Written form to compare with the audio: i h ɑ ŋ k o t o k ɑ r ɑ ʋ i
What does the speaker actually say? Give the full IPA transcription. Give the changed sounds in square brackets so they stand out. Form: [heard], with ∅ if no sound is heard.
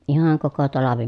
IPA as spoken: i h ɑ ŋ k o [k] o [t] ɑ [l] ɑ ʋ i